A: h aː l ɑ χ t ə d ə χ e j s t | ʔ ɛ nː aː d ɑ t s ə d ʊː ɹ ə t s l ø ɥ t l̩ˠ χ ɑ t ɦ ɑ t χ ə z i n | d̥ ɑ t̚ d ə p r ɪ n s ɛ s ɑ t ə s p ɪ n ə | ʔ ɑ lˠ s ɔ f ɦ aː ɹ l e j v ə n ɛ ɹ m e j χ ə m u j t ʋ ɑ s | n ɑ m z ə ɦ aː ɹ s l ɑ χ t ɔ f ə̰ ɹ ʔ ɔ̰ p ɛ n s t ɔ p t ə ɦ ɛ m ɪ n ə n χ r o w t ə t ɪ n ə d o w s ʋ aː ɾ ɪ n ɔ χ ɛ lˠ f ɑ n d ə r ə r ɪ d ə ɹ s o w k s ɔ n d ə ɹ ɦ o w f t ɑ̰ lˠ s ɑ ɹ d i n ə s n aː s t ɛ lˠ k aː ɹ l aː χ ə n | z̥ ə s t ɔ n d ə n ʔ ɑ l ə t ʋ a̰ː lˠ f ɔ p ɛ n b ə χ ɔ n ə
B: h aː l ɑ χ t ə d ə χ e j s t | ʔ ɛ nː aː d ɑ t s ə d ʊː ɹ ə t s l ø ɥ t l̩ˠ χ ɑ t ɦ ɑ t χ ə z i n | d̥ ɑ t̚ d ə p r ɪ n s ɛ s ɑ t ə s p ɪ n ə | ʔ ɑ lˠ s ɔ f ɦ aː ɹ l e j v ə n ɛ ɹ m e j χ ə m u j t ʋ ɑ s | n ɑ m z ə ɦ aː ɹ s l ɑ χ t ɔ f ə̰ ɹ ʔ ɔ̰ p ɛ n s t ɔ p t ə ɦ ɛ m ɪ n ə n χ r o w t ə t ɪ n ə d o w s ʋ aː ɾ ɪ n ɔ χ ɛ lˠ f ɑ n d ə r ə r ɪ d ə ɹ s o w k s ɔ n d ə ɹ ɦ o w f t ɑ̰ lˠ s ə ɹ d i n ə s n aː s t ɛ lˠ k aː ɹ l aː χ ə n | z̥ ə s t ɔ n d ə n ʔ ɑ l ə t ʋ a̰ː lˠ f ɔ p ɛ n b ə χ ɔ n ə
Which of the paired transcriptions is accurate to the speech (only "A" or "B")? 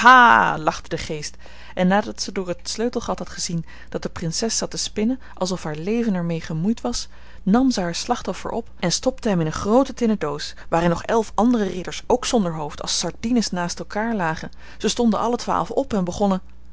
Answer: A